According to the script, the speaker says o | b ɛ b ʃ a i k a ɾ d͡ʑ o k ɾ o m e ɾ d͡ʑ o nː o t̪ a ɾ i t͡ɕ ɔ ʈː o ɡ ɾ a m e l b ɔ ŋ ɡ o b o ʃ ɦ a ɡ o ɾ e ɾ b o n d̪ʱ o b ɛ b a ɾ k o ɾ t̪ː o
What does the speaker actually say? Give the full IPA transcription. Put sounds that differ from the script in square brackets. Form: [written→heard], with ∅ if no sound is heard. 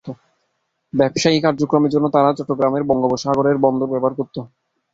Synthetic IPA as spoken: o | b ɛ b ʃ a i k a ɾ d͡ʑ o k ɾ o m e ɾ d͡ʑ o nː o t̪ a ɾ [i→a] t͡ɕ ɔ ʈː o ɡ ɾ a m e [l→ɾ] b ɔ ŋ ɡ o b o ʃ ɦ a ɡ o ɾ e ɾ b [o→ɔ] n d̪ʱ o b ɛ b a ɾ k o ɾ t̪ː o